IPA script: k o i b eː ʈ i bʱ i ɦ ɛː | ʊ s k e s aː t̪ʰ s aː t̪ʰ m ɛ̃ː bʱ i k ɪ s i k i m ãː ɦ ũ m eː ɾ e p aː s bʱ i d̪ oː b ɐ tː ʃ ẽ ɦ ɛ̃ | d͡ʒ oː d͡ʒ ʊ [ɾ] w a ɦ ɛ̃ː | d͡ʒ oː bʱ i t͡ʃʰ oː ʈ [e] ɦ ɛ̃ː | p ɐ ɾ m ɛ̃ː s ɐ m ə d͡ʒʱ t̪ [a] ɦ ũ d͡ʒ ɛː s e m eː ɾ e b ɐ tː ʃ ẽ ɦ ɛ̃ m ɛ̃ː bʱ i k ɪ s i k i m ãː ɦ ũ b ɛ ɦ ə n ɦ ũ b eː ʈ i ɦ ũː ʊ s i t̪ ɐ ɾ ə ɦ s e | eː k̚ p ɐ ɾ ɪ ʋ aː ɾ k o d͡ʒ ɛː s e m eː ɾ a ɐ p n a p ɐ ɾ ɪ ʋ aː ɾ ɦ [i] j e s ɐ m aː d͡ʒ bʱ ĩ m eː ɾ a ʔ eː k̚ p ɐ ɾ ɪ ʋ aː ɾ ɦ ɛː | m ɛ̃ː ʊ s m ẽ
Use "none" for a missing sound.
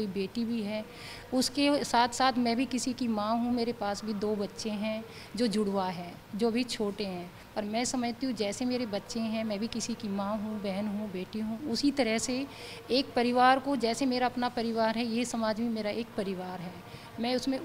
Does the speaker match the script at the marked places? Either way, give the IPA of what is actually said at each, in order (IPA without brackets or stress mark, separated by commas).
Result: ɽ, e, i, ɛ